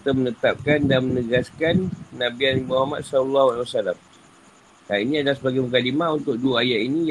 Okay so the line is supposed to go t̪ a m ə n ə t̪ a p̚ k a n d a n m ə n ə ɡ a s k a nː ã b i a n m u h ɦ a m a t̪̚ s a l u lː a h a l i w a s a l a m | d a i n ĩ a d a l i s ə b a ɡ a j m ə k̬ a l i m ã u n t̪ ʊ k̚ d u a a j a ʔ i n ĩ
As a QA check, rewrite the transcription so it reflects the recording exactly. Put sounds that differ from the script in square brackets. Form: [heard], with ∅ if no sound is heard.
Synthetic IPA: t̪ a m ə n ə t̪ a p̚ k a n d a n m ə n ə ɡ a s k a nː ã b i a n m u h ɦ a m a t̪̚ s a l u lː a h a l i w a s a l a m | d a i n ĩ a d a l [a] s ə b a ɡ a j m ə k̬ a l i m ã u n t̪ ʊ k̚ d u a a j a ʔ i n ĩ